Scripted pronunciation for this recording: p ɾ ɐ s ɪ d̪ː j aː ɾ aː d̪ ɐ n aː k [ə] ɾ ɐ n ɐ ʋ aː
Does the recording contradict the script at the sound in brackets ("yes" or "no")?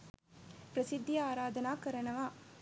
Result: yes